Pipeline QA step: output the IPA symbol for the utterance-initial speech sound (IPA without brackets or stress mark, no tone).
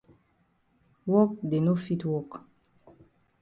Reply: w